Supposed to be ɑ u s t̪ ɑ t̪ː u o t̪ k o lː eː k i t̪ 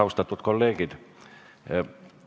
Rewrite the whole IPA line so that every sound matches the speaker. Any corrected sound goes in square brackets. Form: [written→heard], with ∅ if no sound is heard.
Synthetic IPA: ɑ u s t̪ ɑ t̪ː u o t̪ k o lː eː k i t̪